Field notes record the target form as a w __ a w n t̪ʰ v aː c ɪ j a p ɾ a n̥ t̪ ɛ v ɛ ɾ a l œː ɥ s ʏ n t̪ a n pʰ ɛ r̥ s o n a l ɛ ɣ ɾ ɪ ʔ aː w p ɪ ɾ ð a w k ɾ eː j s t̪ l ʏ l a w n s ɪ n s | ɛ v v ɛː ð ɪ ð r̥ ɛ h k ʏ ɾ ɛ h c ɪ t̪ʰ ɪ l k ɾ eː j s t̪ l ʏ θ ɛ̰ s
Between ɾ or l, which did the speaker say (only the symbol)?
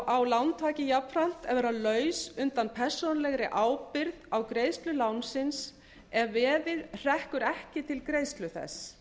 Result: l